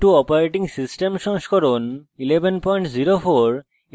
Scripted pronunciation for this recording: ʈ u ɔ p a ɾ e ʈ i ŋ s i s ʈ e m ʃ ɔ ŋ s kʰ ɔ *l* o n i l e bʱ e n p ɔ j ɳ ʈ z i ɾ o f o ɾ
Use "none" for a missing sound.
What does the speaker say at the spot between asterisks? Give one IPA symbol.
ɾ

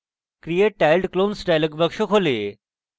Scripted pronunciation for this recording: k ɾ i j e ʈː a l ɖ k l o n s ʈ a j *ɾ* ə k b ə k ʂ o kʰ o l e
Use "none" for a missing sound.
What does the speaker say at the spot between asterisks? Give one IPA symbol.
l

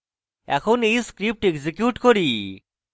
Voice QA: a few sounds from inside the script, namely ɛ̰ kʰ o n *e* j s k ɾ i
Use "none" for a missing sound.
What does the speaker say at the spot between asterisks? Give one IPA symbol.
e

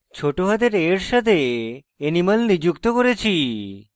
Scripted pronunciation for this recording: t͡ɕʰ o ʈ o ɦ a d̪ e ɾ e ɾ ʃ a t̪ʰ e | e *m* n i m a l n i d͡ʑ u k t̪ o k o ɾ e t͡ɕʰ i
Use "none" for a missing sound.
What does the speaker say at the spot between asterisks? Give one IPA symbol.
none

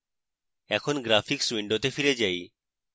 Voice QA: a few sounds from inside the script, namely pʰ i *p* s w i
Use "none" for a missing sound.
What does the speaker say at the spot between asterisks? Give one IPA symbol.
k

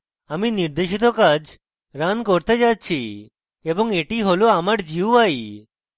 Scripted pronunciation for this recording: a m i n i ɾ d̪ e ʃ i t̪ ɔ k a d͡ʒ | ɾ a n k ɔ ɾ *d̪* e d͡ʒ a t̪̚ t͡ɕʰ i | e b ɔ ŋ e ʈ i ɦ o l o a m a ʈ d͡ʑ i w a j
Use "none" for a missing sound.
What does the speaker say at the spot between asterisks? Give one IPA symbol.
t̪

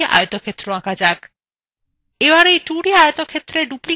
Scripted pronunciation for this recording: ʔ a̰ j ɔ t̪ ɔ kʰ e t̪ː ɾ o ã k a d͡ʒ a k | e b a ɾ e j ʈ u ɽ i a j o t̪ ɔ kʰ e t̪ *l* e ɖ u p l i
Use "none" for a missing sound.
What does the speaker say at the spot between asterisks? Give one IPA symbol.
ɾ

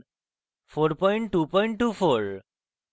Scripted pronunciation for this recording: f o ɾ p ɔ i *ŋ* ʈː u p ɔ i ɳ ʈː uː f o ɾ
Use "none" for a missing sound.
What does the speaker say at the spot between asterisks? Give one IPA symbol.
ɳ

